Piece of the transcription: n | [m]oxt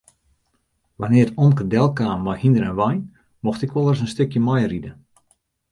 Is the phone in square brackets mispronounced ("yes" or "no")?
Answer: no